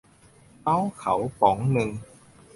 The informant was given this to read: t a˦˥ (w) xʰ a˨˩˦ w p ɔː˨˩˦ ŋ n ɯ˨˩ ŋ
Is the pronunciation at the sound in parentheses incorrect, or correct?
correct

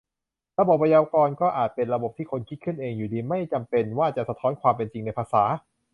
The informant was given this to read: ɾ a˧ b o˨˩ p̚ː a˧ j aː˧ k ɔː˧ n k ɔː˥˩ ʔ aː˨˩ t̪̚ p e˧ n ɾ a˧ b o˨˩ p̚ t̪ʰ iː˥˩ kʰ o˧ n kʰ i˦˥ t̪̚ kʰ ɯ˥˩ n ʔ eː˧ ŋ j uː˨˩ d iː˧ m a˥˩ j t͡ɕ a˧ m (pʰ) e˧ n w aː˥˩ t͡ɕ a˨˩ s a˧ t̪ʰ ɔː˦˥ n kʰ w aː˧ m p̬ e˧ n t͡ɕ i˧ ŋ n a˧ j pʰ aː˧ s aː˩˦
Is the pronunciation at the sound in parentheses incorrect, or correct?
incorrect: p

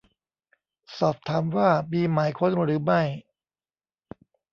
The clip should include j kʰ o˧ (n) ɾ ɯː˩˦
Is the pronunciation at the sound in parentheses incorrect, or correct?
correct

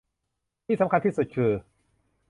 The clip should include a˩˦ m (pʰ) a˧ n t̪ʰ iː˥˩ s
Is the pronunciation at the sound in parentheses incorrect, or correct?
incorrect: kʰ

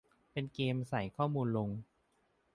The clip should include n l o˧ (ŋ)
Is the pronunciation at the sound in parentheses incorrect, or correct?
correct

